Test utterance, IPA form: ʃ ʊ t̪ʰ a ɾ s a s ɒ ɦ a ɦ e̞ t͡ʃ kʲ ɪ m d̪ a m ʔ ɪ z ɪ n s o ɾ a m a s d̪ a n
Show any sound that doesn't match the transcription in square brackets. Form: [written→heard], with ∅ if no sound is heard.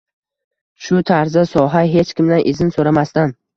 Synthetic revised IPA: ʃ ʊ t̪ʰ a ɾ [s→z] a s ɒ ɦ a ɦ e̞ t͡ʃ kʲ ɪ m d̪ a [m→n] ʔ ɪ z ɪ n s o ɾ a m a s [d̪→t̪] a n